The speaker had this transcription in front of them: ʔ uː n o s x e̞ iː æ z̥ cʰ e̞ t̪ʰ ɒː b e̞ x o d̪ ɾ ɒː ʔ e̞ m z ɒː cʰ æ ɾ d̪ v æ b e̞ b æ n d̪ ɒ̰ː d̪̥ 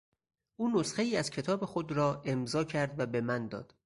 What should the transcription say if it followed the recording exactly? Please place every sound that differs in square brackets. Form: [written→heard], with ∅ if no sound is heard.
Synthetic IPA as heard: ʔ uː n o s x e̞ iː æ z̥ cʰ e̞ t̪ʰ ɒː b e̞ x o d̪ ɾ ɒː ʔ e̞ m z ɒː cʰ æ ɾ d̪ v æ b e̞ [b→m] æ n d̪ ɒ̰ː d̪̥